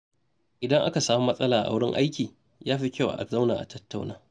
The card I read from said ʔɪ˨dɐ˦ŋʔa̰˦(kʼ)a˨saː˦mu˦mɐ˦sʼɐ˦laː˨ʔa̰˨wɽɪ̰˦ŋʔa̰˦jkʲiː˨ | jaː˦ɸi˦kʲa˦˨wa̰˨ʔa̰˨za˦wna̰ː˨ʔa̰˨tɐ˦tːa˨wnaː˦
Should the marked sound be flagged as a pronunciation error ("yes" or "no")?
yes